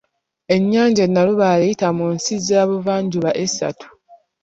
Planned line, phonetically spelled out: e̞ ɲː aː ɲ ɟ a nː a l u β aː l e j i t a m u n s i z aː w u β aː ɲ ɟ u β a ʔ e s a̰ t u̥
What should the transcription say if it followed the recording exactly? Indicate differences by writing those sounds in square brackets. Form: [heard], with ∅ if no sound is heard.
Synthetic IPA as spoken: e̞ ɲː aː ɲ ɟ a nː a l u β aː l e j i t a m u n s i z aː [β] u [v] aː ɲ ɟ u β a ʔ e s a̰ t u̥